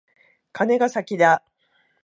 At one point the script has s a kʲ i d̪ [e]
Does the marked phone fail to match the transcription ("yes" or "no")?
yes